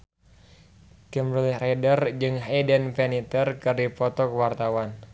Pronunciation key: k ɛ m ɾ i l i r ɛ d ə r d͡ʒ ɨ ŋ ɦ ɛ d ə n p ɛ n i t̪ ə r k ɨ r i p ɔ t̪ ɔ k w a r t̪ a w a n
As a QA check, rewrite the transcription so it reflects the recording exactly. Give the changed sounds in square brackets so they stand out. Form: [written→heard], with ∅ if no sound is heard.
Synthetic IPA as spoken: k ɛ m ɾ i l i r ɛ d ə r d͡ʒ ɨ ŋ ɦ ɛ d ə n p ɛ n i t̪ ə r k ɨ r i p ɔ t̪ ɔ k w a r t̪ a w a n